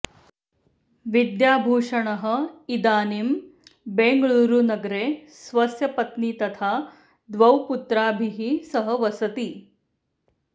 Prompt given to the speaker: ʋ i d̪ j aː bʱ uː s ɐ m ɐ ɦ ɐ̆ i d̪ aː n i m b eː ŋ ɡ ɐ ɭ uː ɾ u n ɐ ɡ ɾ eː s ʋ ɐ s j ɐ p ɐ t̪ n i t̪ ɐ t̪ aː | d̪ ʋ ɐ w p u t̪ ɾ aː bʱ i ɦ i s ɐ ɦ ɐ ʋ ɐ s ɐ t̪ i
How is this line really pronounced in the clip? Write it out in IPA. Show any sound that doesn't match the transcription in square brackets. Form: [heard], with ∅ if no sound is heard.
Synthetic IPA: ʋ i d̪ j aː bʱ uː [ʂ] ɐ [ɳ] ɐ ɦ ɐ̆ i d̪ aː n i m b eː ŋ ɡ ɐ ɭ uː ɾ u n ɐ ɡ ɾ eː s ʋ ɐ s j ɐ p ɐ t̪ n i t̪ ɐ [t̪ʰ] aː | d̪ ʋ ɐ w p u t̪ ɾ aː bʱ i ɦ i s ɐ ɦ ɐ ʋ ɐ s ɐ t̪ i